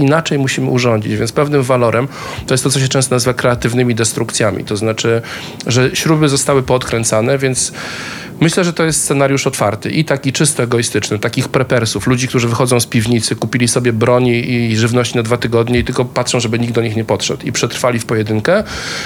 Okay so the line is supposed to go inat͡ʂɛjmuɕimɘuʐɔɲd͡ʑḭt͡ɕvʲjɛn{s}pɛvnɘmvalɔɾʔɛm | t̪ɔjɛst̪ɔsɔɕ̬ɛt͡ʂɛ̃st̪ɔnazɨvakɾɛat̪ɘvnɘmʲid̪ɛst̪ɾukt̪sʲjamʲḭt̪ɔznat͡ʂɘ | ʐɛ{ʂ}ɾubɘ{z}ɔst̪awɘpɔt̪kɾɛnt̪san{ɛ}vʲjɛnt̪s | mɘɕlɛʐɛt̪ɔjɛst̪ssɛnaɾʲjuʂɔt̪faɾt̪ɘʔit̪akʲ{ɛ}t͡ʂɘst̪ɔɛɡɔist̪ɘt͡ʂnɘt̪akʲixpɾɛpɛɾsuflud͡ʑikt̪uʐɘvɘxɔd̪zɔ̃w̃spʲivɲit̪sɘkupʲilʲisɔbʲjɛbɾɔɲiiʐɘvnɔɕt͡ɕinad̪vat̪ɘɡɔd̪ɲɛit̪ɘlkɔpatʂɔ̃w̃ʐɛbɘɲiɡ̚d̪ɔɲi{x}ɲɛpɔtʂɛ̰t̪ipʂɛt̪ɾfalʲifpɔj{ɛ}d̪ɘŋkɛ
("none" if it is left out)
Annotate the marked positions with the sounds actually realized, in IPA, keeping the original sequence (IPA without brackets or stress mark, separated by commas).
s, ɕ, z, ɛ, i, x, ɛ